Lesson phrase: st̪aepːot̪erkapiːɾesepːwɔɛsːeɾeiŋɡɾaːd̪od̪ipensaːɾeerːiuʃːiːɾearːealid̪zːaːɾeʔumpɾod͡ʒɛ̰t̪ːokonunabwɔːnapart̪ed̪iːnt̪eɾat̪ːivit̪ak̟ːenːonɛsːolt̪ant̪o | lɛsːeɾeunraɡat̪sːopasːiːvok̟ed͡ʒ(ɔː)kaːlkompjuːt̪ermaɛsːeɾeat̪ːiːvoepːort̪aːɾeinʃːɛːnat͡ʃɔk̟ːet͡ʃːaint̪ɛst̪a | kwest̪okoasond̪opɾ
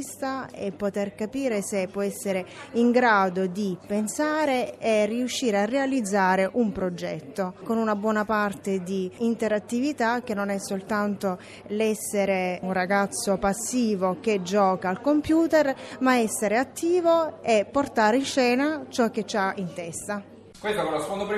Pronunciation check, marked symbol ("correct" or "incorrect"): correct